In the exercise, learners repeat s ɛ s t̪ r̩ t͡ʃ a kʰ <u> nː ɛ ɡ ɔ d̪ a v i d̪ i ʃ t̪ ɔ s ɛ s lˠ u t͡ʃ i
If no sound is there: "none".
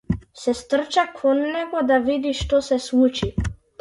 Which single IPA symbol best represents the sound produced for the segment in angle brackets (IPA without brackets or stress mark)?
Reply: ɔ